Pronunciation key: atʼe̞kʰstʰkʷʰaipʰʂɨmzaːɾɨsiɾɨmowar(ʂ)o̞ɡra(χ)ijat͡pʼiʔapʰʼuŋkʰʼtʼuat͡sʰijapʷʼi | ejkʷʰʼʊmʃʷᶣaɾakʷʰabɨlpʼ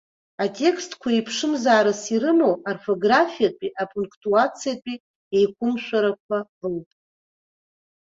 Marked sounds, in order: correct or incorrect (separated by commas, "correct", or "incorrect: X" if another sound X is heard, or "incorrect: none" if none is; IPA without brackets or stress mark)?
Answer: incorrect: f, incorrect: f